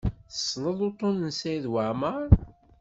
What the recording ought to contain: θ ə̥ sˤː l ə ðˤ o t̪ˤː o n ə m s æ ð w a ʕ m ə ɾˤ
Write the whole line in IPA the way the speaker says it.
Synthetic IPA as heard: θ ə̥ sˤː l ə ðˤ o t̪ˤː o n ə n s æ ð w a ʕ m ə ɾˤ